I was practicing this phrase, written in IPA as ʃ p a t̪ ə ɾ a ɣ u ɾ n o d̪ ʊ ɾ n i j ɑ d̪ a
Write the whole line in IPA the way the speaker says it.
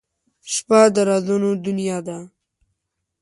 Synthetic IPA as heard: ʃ p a d̪ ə ɾ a z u n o d̪ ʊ n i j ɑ d̪ a